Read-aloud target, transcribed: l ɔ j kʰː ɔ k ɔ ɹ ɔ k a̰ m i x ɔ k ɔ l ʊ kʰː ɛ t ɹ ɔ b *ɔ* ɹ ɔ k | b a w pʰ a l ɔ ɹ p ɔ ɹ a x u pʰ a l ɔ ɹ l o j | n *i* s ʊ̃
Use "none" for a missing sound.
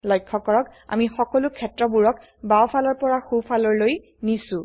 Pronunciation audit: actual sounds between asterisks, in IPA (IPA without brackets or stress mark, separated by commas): u, i